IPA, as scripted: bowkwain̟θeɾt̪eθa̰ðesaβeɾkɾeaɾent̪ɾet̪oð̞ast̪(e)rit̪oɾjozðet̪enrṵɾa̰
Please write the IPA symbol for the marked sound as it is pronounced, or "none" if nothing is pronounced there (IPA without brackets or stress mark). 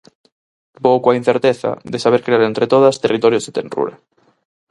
e